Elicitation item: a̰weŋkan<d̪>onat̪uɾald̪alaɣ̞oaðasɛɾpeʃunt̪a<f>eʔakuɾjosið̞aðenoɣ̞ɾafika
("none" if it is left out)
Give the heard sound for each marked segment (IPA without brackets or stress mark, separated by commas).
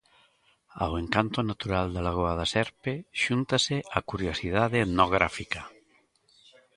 t̪, s